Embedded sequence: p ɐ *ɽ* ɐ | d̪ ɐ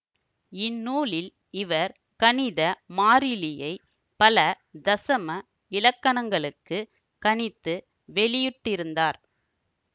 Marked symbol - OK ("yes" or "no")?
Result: no